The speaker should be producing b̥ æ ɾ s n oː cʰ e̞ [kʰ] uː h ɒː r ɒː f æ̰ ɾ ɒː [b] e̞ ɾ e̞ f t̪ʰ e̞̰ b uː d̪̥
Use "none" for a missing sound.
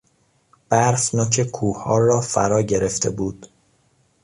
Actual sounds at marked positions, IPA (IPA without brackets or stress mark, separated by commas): kʰ, ɟ